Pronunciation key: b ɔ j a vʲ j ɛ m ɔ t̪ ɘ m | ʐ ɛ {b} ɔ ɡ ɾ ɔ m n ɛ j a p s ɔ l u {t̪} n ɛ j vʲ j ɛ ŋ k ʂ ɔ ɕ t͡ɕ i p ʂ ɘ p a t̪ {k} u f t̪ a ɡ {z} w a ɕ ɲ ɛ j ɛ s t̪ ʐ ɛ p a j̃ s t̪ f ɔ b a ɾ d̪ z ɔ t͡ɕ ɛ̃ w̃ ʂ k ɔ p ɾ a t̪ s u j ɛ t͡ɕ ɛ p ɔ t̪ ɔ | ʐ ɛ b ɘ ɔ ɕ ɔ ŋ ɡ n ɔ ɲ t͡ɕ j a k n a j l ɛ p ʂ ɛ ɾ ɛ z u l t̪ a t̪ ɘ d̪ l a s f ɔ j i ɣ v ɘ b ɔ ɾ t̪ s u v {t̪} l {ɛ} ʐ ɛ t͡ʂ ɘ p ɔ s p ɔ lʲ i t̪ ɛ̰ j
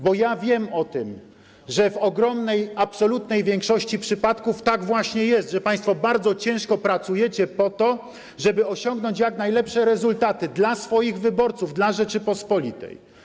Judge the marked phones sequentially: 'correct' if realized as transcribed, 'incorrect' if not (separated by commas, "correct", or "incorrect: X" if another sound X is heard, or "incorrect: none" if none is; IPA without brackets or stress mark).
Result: incorrect: v, correct, correct, incorrect: v, incorrect: d̪, incorrect: a